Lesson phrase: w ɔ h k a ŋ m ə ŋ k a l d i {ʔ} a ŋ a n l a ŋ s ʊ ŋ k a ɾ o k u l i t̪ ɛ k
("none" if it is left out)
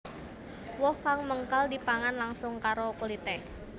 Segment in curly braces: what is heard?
p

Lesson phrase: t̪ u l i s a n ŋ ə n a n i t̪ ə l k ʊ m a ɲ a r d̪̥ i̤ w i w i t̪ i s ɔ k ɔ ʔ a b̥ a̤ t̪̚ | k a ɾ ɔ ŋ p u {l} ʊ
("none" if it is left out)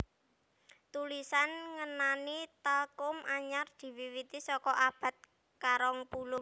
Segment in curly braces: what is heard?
l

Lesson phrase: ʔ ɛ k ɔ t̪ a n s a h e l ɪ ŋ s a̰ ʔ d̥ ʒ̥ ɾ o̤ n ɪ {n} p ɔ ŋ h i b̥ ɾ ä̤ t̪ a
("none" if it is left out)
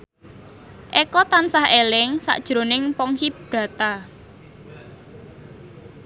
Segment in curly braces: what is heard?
ŋ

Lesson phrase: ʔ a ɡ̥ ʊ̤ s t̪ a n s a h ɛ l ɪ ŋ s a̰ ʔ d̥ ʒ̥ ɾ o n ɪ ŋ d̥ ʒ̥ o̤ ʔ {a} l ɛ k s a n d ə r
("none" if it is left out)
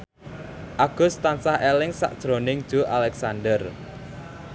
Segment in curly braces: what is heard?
a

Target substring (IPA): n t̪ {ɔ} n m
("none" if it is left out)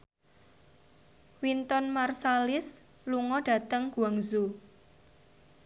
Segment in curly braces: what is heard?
ɔ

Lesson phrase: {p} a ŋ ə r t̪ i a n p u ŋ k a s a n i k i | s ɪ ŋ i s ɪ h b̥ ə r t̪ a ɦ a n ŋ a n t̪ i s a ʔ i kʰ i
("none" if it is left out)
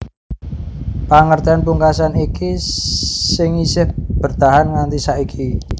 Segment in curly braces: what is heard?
p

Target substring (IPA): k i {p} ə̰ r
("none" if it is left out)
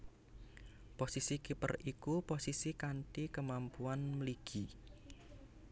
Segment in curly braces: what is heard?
p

